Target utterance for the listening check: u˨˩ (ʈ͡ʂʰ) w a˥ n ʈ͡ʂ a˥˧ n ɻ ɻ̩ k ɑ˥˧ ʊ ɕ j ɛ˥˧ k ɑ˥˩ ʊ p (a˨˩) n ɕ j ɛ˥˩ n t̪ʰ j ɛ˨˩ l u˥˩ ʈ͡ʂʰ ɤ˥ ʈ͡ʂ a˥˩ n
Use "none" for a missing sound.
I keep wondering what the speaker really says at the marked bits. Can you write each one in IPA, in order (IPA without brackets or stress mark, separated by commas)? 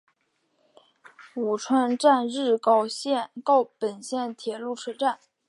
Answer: ʈ͡ʂʰ, ə˨˩